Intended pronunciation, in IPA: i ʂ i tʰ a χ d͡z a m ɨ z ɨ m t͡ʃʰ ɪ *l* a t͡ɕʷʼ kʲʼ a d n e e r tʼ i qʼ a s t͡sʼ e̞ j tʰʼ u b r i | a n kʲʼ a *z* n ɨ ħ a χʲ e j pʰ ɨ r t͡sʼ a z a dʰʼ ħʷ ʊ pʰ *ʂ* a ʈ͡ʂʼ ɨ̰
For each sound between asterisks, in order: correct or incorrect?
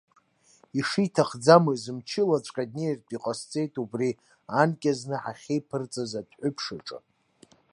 correct, correct, correct

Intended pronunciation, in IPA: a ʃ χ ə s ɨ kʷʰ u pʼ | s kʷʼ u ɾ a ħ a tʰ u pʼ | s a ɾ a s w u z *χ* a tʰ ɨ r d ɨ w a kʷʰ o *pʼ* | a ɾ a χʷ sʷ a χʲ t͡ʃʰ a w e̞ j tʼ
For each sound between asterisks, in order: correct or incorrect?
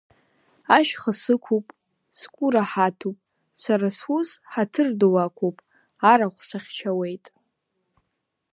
incorrect: ħ, correct

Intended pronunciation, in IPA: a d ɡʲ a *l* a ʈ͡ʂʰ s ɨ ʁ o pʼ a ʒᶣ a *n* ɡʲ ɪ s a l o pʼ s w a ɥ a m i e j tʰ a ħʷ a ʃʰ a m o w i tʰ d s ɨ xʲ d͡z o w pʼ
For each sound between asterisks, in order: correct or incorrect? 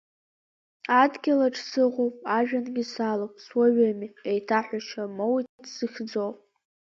correct, correct

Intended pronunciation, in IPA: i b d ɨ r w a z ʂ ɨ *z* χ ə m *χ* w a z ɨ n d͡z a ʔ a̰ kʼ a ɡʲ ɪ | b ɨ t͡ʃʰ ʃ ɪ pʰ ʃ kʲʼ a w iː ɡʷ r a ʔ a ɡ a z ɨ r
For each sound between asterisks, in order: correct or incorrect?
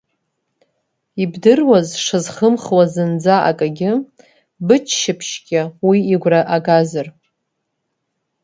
correct, correct

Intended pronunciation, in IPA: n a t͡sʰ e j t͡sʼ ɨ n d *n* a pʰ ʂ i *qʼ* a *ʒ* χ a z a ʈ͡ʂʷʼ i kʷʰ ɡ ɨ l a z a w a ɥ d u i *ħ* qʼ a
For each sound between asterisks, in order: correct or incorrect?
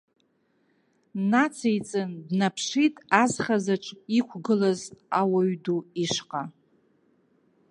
correct, incorrect: tʼ, incorrect: z, incorrect: ʂ

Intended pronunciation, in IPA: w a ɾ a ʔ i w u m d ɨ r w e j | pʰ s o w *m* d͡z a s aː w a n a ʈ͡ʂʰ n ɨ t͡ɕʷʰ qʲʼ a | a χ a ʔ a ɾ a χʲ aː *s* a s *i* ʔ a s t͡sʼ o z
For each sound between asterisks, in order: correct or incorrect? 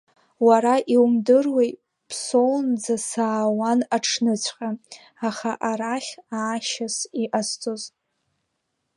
incorrect: n, incorrect: ʃ, correct

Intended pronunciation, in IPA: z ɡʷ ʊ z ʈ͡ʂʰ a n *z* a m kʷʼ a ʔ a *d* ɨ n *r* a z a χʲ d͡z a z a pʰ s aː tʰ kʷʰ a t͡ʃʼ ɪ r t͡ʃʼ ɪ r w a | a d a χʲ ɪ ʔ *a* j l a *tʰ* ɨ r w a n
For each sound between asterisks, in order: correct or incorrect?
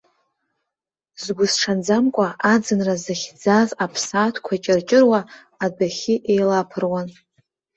incorrect: d͡z, incorrect: d͡z, correct, incorrect: e, incorrect: pʰ

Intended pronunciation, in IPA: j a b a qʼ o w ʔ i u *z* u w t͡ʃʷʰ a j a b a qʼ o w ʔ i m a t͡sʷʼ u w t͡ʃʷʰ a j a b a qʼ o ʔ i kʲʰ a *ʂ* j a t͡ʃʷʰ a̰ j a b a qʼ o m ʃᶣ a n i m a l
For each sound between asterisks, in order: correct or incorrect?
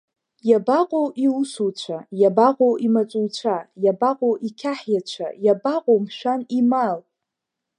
incorrect: s, incorrect: ħ

